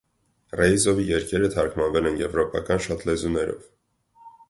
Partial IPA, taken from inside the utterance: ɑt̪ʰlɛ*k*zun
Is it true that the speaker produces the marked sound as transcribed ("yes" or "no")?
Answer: no